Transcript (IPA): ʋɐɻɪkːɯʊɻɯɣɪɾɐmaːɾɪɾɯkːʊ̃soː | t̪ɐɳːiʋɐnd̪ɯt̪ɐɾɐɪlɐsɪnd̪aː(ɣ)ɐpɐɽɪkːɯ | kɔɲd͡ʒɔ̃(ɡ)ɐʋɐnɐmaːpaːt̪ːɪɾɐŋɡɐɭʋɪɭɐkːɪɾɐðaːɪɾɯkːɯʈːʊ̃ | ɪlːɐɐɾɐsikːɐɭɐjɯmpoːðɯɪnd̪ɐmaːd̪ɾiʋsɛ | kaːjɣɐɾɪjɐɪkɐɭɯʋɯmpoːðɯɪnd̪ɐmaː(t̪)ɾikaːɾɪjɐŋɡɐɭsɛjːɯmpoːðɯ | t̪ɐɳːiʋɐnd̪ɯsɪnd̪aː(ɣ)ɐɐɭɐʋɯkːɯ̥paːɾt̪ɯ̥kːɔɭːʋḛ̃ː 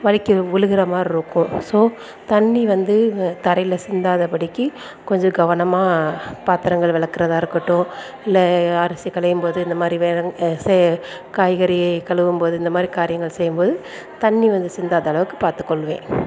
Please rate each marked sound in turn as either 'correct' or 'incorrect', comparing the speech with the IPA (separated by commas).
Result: incorrect, correct, incorrect, incorrect